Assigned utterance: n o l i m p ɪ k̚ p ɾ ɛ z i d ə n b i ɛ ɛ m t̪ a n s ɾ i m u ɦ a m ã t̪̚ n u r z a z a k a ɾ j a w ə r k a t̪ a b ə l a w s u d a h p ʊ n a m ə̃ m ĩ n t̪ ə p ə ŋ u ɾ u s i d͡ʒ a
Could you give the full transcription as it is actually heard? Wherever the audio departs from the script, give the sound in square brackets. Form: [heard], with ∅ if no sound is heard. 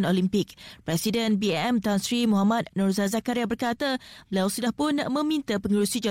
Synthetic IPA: n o l i m p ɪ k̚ p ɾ ɛ [s] i d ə n b i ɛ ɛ m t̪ a n s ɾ i m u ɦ a m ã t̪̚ n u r z a z a k a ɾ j a [b] ə r k a t̪ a b ə l a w s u d a h p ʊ n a m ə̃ m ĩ n t̪ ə p ə ŋ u ɾ u s i d͡ʒ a